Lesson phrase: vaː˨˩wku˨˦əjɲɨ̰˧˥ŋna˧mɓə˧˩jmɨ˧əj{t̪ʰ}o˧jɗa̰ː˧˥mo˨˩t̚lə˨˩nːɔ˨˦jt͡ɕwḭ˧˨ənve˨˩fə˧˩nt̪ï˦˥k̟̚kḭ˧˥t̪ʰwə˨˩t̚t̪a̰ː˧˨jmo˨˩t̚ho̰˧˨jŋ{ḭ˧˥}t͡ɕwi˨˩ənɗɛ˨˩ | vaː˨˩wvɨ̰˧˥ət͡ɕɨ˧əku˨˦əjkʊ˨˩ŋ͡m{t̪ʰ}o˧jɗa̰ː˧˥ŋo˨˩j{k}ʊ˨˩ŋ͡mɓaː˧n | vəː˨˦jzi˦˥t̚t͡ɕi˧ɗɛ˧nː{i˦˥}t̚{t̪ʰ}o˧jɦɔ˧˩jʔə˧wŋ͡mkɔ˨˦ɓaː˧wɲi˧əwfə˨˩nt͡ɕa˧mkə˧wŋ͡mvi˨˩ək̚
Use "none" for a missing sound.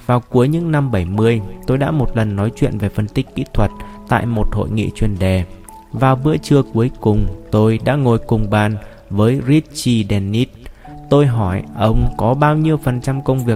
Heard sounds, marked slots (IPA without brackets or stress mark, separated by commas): t̪, ḭ˧˨, t̪, k, i˦˥, t̪